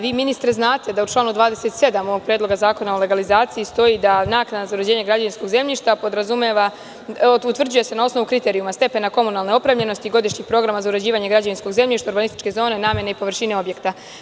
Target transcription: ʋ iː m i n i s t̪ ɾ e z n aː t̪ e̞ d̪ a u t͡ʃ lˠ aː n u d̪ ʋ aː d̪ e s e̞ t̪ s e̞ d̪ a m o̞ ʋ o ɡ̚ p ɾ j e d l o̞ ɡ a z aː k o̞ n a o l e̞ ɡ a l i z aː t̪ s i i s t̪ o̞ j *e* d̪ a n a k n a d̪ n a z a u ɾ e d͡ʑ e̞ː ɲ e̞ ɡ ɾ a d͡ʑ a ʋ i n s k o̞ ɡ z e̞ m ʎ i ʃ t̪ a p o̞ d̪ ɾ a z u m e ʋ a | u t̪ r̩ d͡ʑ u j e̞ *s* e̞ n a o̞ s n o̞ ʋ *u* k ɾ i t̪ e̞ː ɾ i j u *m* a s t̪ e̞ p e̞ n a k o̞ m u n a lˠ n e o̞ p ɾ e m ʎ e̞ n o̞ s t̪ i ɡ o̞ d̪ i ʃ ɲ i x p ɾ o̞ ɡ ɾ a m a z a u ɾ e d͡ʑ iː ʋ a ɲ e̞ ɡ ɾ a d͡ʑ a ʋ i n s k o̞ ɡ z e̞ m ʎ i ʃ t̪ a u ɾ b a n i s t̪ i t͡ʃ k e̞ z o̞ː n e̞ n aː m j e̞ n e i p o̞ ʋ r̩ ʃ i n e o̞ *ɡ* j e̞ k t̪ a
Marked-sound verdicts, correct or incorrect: incorrect: i, correct, correct, correct, incorrect: b

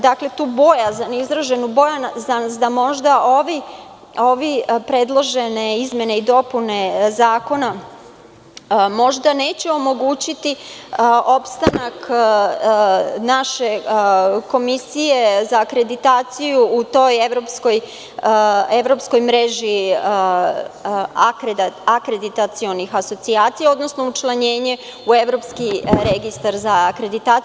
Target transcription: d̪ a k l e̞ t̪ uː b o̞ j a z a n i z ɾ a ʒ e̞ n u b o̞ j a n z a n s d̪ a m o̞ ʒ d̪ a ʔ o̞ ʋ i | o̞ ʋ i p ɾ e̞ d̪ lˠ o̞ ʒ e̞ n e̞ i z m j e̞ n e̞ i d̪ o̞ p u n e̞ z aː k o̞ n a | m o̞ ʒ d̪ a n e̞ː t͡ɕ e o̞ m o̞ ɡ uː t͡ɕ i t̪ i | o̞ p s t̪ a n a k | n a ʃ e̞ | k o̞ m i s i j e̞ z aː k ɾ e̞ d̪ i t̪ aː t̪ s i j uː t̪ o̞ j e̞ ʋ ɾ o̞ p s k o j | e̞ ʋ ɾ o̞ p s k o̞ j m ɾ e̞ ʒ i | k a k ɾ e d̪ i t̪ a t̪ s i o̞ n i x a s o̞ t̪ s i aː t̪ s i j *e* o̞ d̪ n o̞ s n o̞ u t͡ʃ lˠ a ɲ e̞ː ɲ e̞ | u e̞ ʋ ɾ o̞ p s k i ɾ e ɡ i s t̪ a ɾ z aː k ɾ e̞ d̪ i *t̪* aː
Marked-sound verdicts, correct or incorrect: incorrect: a, correct

